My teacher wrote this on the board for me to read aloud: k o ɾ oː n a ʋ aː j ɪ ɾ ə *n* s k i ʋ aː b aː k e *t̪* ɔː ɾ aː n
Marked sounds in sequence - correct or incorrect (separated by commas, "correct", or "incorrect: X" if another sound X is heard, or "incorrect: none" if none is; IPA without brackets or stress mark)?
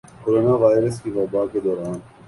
incorrect: none, incorrect: d̪